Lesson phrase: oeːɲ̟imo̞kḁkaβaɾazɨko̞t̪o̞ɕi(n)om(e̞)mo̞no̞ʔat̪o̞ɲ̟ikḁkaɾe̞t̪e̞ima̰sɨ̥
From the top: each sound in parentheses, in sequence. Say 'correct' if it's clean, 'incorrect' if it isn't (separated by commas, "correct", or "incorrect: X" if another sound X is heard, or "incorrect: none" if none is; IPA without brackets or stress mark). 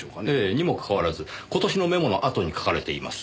correct, correct